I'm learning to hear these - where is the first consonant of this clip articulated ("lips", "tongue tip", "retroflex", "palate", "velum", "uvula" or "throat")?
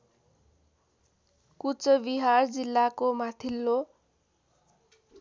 velum